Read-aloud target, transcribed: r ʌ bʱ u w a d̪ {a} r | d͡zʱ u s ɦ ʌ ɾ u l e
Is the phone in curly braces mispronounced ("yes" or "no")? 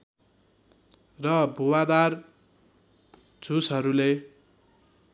no